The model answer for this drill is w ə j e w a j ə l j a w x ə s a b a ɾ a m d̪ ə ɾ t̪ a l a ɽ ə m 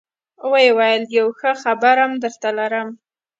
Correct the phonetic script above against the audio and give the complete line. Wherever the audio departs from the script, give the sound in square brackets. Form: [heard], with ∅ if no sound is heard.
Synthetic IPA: w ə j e w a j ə l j a w x ə [x] a b a ɾ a m d̪ ə ɾ t̪ a l a [ɾ] ə m